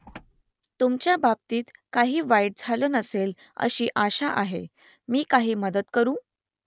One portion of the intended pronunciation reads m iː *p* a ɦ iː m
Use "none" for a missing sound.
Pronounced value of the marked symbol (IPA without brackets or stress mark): k